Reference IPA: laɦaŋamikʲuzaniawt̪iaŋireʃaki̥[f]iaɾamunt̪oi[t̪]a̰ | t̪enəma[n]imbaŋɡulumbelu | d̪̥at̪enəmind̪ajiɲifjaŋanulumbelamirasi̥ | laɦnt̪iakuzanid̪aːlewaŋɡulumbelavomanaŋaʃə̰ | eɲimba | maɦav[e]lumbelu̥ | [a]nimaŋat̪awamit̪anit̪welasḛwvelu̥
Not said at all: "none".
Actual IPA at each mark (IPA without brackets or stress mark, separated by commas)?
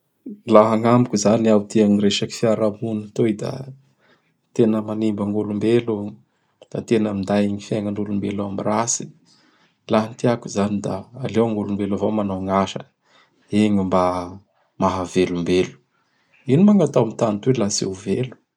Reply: f, d̪, n, e, i